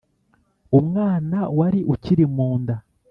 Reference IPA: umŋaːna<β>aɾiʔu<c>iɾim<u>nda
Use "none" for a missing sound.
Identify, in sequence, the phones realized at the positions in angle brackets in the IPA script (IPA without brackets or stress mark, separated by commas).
w, c, uː